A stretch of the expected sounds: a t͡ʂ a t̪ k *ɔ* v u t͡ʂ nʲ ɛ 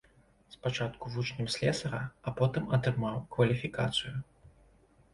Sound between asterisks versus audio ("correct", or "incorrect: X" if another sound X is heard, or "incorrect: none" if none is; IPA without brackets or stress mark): incorrect: u